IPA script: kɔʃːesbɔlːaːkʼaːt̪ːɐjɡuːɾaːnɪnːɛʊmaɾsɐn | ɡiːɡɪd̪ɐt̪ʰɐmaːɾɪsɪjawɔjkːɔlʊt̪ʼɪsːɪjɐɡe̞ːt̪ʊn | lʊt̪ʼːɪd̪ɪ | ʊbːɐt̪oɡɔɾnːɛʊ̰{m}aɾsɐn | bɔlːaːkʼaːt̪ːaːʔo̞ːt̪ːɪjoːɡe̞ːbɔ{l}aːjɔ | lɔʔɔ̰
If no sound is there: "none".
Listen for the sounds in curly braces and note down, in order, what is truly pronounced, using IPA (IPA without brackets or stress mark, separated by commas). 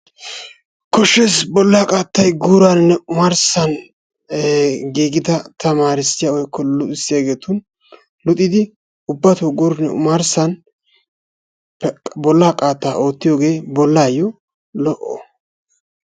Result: m, lː